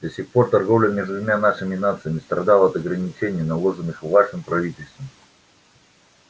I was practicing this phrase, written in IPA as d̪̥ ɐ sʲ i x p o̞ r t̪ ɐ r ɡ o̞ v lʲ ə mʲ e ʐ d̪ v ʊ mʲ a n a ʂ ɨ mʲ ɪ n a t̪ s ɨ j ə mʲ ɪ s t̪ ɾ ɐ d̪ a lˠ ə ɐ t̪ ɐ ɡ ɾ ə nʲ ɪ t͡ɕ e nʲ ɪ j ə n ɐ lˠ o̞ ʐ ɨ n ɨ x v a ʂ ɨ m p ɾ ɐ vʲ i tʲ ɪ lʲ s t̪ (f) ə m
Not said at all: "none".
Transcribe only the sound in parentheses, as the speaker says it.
v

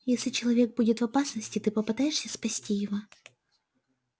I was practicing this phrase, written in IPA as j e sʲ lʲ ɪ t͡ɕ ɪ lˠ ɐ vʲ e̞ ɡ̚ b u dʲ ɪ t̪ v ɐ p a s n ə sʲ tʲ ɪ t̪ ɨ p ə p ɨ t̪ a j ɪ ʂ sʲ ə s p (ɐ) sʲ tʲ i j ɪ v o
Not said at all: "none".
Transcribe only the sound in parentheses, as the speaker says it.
ɐ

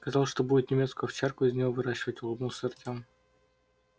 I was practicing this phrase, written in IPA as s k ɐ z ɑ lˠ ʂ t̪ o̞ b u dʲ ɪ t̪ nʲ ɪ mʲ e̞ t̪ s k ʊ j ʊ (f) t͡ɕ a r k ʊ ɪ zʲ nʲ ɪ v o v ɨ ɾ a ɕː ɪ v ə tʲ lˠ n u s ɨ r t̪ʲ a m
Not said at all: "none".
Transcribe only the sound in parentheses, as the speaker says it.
f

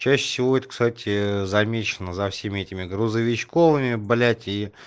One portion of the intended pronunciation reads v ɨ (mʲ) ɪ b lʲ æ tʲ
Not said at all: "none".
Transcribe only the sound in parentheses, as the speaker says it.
mʲ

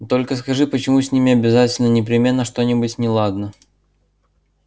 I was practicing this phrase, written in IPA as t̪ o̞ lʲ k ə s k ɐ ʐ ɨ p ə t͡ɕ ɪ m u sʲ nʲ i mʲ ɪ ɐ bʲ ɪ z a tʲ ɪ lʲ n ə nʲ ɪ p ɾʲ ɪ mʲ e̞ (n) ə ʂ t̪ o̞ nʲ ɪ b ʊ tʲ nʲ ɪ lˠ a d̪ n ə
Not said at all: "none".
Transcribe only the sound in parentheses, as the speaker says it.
nː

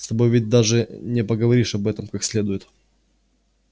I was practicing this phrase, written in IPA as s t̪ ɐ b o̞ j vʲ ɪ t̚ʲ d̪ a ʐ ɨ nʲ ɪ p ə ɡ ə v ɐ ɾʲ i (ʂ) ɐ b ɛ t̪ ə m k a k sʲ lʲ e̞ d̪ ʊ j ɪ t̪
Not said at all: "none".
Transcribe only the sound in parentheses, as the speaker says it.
ʂ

